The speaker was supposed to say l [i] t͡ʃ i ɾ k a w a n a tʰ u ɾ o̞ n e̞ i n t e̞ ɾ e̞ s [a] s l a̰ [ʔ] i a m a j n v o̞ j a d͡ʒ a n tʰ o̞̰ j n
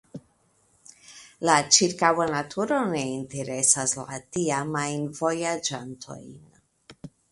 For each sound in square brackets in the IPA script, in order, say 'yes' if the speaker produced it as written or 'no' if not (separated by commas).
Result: no, yes, no